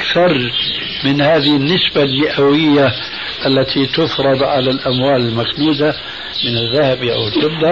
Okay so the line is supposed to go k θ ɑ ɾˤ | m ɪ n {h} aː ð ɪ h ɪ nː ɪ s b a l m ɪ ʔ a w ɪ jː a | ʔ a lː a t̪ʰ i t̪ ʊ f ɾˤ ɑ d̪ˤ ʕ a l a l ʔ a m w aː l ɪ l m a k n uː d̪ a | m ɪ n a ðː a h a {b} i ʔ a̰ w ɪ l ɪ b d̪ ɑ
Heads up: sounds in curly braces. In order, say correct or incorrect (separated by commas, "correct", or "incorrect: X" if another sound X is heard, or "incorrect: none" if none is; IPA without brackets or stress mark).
correct, correct